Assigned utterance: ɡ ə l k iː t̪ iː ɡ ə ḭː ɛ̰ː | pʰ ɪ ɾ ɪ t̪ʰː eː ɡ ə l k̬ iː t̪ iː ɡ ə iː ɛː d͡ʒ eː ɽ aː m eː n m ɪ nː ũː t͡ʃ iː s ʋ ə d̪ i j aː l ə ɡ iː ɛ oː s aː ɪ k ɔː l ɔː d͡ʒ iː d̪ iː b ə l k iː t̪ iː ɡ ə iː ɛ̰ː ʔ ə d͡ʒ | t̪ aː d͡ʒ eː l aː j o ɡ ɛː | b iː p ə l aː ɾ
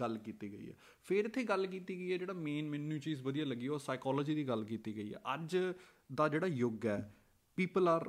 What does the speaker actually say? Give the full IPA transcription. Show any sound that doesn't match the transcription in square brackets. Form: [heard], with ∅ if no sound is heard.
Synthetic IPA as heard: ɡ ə l k iː t̪ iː ɡ ə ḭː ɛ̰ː | pʰ ɪ ɾ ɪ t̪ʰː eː ɡ ə l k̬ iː t̪ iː ɡ ə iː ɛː d͡ʒ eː ɽ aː m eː n m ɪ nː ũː t͡ʃ iː [z] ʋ ə d̪ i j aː l ə ɡ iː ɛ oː s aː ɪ k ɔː l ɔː d͡ʒ iː d̪ iː [ɡ] ə l k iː t̪ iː ɡ ə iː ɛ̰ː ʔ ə d͡ʒ | [d̪] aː d͡ʒ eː [ɽ] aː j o ɡ ɛː | [p] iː p ə l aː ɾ